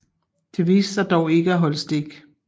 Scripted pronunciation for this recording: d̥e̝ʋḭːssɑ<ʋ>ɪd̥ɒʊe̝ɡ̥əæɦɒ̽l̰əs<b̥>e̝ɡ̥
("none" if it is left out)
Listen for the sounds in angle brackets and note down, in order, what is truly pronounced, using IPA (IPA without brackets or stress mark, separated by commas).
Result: none, d̥